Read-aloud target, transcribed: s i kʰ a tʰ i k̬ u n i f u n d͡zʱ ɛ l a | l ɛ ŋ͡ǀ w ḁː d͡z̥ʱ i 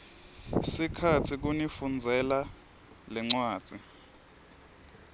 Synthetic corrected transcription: s i kʰ a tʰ i k̬ u n i f u n d͡zʱ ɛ l a | l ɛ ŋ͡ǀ w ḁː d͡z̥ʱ i